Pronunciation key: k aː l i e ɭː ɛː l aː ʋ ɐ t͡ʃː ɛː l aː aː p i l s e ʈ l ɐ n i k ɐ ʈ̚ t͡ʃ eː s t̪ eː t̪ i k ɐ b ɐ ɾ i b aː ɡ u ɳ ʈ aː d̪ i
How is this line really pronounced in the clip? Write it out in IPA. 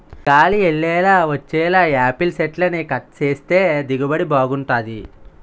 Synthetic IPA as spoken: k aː l i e ɭː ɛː l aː ʋ ɐ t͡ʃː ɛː l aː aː p i l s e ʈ l ɐ n i k ɐ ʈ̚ t͡ʃ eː s t̪ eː d̪ i ɡ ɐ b ɐ ɽ i b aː ɡ u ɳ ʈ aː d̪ i

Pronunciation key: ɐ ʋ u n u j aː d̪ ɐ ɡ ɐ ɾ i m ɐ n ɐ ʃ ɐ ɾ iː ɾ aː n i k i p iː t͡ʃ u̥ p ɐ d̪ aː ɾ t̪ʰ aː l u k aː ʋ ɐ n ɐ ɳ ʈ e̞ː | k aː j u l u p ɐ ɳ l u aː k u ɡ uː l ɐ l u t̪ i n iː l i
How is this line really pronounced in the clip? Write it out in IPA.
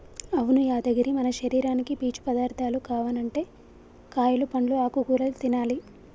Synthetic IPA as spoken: ɐ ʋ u n u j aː d̪ ɐ ɡ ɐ ɾ i m ɐ n ɐ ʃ ɐ ɾ iː ɾ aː n i k i p iː t͡ʃ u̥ p ɐ d̪ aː ɾ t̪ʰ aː l u k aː ʋ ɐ n ɐ ɳ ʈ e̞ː | k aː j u l u p ɐ ɳ l u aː k u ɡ uː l ɐ l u t̪ i n aː l i

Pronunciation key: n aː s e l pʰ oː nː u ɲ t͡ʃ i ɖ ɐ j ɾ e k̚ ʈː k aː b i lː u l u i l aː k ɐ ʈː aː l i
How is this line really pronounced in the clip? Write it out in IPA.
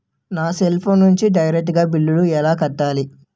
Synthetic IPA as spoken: n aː s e l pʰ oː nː u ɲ t͡ʃ i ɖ ɐ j ɾ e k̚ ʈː ɡ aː b i lː u l u ɛ l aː k ɐ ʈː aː l i

